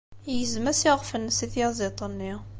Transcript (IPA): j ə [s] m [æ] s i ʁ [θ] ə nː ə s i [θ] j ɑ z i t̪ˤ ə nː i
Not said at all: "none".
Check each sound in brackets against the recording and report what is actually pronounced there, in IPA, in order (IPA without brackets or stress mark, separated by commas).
z, æ, f, θ